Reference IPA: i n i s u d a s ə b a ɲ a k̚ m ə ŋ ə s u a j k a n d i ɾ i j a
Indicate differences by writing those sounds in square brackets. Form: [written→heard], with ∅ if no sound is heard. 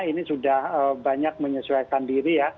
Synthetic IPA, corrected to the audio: i n i s u d a [s→h] ə b a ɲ a k̚ m ə [ŋ→ɲ] ə s u a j k a n d i ɾ i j a